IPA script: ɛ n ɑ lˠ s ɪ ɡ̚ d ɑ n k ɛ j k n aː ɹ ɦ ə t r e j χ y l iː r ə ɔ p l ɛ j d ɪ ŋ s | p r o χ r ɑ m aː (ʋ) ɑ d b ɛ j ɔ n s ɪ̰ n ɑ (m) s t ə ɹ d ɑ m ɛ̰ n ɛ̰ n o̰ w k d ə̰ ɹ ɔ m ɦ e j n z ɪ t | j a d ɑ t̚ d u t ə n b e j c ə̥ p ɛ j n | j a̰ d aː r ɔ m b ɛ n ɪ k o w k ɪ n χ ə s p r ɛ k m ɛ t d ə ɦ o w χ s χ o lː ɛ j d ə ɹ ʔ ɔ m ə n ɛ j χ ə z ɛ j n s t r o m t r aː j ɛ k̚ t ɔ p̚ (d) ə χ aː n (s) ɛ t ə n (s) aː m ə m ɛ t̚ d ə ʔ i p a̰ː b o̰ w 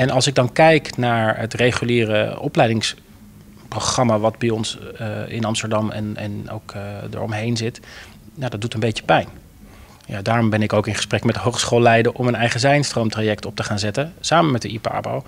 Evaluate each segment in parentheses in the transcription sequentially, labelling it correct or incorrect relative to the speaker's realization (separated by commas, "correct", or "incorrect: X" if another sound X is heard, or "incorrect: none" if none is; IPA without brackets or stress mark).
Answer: correct, correct, incorrect: t, incorrect: z, correct